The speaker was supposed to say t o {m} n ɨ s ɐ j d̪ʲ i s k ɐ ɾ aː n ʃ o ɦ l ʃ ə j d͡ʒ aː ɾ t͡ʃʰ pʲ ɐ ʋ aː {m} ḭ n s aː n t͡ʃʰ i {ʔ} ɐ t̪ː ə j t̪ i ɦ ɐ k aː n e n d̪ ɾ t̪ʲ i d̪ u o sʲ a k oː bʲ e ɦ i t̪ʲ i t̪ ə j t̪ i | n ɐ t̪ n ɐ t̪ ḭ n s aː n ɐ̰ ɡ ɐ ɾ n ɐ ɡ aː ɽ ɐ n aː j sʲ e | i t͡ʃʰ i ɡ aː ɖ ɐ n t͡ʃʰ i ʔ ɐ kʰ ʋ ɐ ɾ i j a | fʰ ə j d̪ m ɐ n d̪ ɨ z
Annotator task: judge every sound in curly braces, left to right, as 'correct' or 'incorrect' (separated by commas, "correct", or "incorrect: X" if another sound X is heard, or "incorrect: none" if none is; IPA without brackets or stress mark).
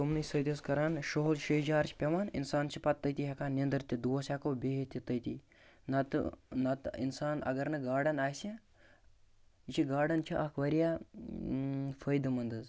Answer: correct, incorrect: n, incorrect: p